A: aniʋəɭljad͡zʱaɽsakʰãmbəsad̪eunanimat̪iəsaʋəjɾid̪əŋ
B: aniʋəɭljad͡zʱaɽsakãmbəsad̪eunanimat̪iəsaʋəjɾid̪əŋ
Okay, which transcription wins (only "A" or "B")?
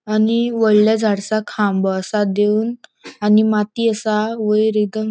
A